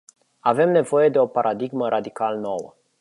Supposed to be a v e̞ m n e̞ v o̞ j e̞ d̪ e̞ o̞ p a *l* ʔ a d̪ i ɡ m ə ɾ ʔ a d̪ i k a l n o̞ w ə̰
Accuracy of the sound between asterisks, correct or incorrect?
incorrect: ɾ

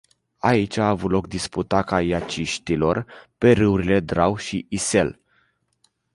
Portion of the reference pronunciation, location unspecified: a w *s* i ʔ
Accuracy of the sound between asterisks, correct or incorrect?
incorrect: ʃ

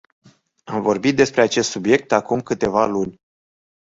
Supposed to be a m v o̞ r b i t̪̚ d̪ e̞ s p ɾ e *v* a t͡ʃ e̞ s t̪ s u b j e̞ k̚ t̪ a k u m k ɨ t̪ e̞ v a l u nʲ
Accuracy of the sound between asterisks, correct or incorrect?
incorrect: none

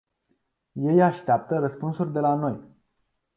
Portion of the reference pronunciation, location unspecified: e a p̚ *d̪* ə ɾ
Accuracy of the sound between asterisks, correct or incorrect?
incorrect: t̪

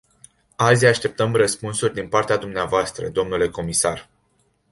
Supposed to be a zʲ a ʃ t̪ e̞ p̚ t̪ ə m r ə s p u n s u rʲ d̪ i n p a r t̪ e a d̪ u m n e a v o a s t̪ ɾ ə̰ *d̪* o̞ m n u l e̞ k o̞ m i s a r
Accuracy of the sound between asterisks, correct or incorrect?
correct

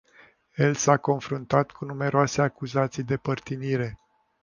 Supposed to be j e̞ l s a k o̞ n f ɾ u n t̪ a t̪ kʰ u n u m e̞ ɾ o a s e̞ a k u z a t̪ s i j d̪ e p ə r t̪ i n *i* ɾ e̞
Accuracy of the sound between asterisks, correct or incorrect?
correct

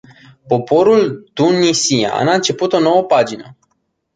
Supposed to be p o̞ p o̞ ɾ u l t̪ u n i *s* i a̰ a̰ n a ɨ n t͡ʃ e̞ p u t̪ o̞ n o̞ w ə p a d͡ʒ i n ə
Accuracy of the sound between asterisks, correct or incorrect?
correct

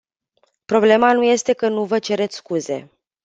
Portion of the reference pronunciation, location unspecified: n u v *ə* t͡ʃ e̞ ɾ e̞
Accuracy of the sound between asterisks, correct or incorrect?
correct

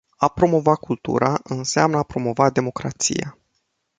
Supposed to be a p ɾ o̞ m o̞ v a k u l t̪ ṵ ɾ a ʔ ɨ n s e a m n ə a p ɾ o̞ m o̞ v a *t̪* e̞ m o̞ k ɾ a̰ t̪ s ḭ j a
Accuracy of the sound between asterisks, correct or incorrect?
incorrect: d̪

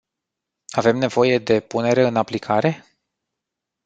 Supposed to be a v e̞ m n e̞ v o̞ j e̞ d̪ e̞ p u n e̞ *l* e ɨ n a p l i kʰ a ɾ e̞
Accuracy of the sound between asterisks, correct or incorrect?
incorrect: ɾ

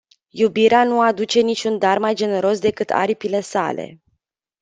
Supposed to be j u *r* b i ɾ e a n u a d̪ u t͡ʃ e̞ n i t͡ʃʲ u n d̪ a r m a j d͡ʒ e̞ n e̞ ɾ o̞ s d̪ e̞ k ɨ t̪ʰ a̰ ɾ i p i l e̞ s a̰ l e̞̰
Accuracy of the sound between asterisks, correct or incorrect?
incorrect: none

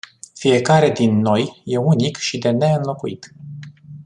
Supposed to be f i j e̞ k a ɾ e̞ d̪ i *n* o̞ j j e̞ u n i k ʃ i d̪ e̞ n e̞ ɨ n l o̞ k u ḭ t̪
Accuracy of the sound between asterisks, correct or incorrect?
incorrect: nː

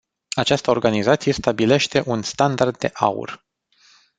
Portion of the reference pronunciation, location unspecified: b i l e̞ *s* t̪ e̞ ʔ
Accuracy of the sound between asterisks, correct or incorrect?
incorrect: ʃ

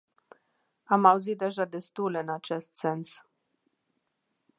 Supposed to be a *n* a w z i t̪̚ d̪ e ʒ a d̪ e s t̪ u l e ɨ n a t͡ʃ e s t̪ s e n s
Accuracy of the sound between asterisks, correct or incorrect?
incorrect: m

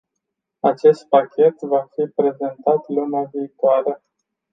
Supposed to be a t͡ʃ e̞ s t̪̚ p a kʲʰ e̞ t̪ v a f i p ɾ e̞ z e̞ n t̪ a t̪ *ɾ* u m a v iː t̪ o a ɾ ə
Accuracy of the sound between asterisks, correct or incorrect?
incorrect: l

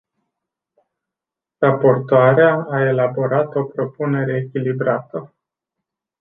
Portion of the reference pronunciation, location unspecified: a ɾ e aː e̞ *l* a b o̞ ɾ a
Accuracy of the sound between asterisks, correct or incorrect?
correct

